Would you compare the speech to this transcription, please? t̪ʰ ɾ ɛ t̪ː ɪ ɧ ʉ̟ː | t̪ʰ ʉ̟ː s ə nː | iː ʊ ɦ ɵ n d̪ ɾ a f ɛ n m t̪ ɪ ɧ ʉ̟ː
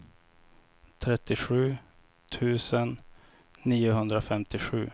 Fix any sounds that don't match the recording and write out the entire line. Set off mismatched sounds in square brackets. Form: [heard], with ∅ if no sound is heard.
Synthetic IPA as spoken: t̪ʰ ɾ ɛ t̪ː ɪ ɧ ʉ̟ː | t̪ʰ ʉ̟ː s ə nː | iː ʊ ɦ ɵ n d̪ ɾ a f ɛ [∅] m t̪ ɪ ɧ ʉ̟ː